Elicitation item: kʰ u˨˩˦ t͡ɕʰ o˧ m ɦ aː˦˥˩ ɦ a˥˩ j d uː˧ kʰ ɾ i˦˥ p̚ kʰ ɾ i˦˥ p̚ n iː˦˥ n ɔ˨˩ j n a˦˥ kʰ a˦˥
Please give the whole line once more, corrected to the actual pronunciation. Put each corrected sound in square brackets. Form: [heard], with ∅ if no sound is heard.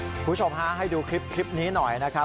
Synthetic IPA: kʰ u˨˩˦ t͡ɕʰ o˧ m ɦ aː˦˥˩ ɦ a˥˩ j d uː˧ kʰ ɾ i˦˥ p̚ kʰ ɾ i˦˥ p̚ n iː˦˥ n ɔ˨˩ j n a˦˥ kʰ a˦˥